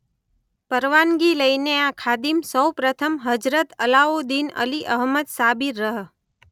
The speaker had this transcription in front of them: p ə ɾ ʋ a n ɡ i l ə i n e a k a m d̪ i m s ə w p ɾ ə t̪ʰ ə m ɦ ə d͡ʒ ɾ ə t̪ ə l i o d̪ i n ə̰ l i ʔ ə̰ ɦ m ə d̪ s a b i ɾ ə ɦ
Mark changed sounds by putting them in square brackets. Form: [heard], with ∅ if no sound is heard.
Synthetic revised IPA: p ə ɾ ʋ a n ɡ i l ə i n e a [kʰ] a [∅] d̪ i m s ə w p ɾ ə t̪ʰ ə m ɦ ə d͡ʒ ɾ ə t̪ ə l [a] o d̪ i n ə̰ l i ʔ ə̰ ɦ m ə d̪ s a b i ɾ ə ɦ

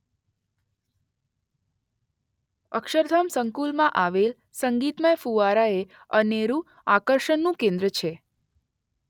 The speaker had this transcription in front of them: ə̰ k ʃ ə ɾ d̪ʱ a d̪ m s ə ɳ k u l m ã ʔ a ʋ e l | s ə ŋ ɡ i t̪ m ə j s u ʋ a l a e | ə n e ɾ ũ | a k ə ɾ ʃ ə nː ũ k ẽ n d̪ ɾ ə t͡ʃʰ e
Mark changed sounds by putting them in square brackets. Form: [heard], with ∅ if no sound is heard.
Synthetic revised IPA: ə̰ k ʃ ə ɾ d̪ʱ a [∅] m s ə [ŋ] k u l m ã ʔ a ʋ e l | s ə ŋ ɡ i t̪ m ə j [f] u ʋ a [ɾ] a e | ə n e ɾ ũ | a k ə ɾ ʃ ə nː ũ k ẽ n d̪ ɾ ə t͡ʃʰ e

